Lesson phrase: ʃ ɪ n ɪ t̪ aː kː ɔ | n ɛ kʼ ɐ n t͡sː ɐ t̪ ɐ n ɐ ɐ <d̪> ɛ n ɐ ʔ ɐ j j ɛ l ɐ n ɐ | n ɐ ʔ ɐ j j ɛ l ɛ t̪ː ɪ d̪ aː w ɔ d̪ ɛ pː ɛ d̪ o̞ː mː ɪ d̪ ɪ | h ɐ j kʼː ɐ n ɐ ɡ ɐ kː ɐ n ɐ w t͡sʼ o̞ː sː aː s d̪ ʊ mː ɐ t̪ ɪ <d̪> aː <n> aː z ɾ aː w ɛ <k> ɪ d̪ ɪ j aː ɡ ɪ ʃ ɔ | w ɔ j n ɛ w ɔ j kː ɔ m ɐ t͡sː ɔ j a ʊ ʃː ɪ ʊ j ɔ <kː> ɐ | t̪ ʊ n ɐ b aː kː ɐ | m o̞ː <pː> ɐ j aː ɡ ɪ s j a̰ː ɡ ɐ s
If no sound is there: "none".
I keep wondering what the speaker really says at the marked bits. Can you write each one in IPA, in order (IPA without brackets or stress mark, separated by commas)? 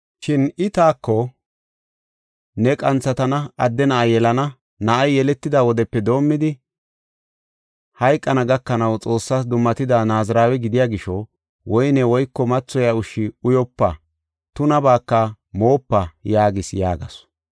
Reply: d̪ː, d̪, n, ɡ, pː, pː